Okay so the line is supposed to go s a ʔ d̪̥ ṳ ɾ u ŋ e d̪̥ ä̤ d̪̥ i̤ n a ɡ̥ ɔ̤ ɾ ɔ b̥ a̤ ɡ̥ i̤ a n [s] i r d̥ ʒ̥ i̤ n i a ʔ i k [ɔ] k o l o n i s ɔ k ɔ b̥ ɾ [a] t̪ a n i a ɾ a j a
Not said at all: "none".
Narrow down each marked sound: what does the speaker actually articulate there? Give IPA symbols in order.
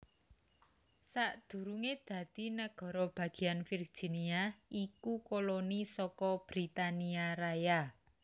f, u, i

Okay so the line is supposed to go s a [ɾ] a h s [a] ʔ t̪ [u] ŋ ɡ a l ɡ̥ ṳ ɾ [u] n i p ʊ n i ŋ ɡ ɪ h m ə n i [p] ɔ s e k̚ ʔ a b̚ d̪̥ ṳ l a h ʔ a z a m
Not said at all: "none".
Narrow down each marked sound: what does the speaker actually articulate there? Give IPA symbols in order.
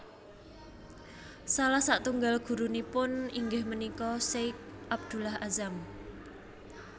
l, a, u, u, k

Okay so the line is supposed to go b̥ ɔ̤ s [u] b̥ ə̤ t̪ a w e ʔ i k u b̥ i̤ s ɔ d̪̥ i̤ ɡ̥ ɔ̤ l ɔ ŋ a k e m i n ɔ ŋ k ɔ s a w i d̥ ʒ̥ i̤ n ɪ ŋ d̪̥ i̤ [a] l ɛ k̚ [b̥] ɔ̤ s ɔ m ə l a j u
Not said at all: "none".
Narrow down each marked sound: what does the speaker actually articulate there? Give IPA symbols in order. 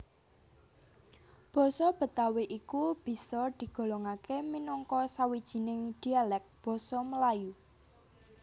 ɔ, a, b̥

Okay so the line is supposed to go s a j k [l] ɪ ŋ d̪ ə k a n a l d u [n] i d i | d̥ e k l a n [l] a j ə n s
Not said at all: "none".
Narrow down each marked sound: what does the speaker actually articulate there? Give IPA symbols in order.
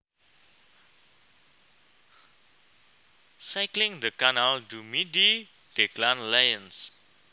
l, m, l

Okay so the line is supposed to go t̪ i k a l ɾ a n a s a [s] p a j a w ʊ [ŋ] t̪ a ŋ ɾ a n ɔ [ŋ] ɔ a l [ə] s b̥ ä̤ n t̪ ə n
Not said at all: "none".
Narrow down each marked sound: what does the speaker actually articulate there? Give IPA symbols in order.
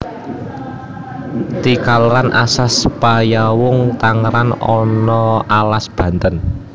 s, ŋ, n, a

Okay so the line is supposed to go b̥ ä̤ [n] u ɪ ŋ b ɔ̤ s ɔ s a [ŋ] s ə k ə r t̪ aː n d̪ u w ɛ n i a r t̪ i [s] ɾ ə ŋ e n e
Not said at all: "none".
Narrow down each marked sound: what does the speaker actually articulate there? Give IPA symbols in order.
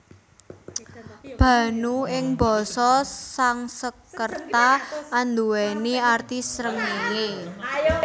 n, ŋ, s

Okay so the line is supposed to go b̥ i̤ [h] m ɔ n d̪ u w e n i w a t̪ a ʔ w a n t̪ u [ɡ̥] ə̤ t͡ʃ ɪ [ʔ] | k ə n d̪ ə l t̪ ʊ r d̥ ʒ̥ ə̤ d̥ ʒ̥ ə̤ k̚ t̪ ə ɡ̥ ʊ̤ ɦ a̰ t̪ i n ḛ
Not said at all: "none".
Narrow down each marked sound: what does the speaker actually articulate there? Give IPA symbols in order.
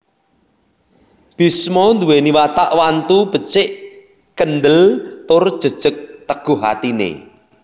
s, b̥, ʔ

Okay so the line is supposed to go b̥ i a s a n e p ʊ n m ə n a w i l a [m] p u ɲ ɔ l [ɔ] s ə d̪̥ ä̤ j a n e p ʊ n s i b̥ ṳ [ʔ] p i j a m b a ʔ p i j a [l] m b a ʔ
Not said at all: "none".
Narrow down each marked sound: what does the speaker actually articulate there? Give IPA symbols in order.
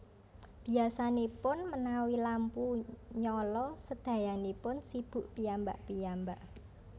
m, ɔ, ʔ, none

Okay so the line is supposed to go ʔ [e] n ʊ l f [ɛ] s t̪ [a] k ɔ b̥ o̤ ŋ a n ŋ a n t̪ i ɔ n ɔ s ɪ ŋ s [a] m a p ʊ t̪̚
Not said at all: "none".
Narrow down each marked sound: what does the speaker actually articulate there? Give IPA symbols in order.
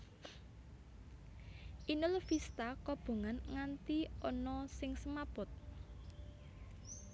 i, i, a, ə

